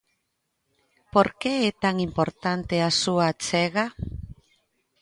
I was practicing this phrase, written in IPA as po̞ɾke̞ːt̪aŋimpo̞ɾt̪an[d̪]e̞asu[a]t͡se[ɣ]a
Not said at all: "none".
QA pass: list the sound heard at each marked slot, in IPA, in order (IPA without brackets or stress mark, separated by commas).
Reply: t̪, a, ɣ